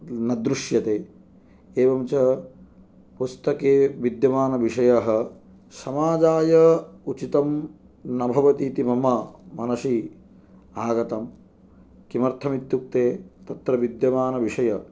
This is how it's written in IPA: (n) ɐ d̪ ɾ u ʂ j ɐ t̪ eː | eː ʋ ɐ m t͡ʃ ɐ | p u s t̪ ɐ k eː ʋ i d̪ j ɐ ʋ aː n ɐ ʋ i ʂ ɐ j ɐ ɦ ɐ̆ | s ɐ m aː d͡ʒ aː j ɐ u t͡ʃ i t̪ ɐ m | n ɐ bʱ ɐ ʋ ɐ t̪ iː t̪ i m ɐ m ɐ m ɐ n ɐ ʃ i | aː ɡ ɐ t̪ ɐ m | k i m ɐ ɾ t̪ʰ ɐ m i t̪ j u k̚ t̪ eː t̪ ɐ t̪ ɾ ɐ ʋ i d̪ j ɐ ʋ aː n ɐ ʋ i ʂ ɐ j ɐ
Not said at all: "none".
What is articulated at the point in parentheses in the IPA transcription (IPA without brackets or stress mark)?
n